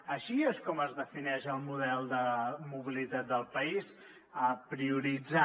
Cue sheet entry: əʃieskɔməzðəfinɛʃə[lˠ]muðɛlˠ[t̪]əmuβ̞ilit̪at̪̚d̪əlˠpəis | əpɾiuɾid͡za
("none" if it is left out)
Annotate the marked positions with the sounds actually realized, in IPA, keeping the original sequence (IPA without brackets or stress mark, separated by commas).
lˠ, d̪